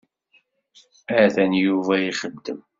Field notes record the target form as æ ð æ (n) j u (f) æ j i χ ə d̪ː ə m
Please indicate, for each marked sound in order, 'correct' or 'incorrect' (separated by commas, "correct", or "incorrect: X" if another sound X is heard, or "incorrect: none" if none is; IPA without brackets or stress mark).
correct, incorrect: v